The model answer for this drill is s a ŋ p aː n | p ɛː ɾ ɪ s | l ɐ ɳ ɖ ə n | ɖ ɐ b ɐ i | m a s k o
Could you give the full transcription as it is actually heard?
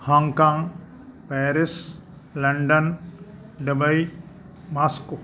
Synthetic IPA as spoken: h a ŋ k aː ŋ | p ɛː ɾ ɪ s | l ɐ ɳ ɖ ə n | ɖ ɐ b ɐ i | m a s k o